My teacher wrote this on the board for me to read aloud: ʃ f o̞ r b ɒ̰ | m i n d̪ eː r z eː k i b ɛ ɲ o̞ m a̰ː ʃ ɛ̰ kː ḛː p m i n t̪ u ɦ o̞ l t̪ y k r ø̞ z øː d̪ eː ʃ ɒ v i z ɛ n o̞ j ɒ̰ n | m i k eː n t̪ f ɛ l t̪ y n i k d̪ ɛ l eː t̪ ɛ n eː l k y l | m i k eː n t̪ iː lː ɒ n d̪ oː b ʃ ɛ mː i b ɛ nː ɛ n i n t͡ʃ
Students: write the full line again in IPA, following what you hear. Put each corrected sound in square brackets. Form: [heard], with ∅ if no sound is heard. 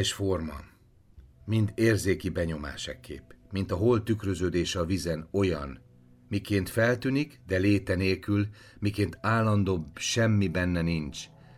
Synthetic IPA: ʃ f o̞ r [m] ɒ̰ | m i n d̪ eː r z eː k i b ɛ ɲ o̞ m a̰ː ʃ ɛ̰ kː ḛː p m i n t̪ [ɒ] ɦ o̞ l t̪ y k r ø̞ z øː d̪ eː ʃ ɒ v i z ɛ n o̞ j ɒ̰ n | m i k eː n t̪ f ɛ l t̪ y n i k d̪ ɛ l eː t̪ ɛ n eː l k y l | m i k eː n t̪ [aː] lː ɒ n d̪ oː b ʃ ɛ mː i b ɛ nː ɛ n i n t͡ʃ